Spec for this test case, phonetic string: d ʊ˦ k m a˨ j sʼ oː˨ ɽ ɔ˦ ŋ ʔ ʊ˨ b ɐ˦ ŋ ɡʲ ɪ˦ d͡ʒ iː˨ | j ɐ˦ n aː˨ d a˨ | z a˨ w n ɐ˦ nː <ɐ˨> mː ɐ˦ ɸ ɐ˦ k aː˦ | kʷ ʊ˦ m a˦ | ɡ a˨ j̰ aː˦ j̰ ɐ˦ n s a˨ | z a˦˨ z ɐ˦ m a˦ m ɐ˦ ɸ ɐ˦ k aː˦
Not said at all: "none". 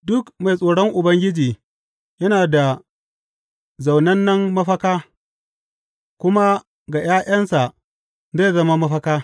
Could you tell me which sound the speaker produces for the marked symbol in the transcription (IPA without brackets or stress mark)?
ɐ˦